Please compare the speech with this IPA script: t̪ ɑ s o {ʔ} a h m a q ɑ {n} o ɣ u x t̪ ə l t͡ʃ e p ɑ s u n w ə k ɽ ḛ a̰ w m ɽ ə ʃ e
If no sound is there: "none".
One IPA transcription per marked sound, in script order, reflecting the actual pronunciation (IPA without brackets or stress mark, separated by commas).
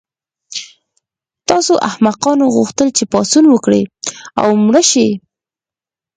ʔ, n